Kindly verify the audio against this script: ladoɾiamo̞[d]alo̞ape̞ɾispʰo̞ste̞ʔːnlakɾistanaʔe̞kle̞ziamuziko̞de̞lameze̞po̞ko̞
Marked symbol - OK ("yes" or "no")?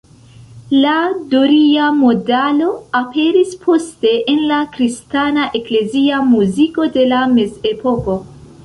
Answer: yes